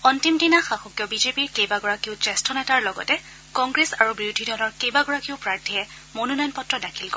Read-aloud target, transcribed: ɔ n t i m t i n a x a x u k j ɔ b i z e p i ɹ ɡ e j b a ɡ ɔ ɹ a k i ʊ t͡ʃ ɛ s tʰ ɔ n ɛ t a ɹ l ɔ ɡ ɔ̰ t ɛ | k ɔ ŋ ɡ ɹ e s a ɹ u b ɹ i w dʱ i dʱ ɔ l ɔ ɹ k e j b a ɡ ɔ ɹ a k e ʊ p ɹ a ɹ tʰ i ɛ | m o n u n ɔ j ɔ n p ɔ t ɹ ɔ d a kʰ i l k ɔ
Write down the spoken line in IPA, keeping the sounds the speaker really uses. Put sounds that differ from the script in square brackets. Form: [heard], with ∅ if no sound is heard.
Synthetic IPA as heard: ɔ n t i m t i n a x a x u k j ɔ b i z e p i ɹ [k] e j b a ɡ ɔ ɹ a k i ʊ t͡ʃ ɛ s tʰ ɔ n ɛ t a ɹ l ɔ ɡ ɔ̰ t ɛ | k ɔ ŋ ɡ ɹ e s a ɹ u b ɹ i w dʱ i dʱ ɔ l ɔ ɹ k e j b a ɡ ɔ ɹ a k [i] ʊ p ɹ a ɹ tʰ i ɛ | m o n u n ɔ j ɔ n p ɔ t ɹ ɔ d a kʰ i l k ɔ